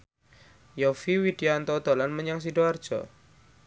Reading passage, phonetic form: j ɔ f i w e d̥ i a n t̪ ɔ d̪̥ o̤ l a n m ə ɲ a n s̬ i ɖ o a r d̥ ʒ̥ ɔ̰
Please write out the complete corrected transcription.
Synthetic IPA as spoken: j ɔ f i w i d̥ i a n t̪ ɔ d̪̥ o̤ l a n m ə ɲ a ŋ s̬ i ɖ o a r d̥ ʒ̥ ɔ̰